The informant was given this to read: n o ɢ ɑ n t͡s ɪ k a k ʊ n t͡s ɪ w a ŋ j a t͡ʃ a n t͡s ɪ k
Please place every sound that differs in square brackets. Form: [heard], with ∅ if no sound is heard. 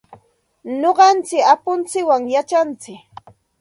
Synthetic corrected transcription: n o ɢ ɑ n t͡s ɪ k a [p] ʊ n t͡s ɪ w a ŋ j a t͡ʃ a n t͡s ɪ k